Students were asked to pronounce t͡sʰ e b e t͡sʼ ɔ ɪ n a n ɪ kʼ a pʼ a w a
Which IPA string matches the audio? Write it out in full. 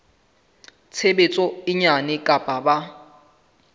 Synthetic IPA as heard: t͡sʰ e b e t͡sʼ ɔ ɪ ɲ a n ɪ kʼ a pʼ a b a